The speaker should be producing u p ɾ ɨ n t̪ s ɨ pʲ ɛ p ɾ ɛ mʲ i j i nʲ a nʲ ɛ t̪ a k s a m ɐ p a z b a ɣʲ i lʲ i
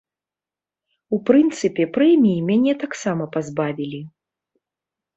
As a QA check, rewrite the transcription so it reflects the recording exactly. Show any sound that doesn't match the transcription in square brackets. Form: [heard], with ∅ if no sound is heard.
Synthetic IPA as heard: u p ɾ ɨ n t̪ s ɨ pʲ ɛ p ɾ ɛ mʲ i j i [mʲ] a nʲ ɛ t̪ a k s a m ɐ p a z b a [vʲ] i lʲ i